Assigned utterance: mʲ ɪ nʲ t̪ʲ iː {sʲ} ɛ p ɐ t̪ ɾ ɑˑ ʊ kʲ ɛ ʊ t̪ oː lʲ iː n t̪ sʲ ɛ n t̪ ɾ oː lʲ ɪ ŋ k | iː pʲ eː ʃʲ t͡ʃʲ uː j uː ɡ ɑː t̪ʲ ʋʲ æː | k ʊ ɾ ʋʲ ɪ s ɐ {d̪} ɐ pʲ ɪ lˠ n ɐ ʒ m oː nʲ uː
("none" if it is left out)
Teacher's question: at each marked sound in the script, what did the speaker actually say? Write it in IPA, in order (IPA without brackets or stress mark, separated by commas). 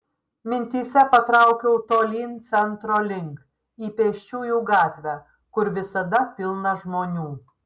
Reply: sʲ, d̪